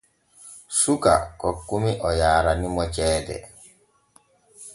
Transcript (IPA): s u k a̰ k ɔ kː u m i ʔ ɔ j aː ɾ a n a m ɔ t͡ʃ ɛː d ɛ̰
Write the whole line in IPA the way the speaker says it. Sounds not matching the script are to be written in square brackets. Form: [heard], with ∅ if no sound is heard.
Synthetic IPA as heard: s u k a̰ k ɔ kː u m i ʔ ɔ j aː ɾ a n [i] m ɔ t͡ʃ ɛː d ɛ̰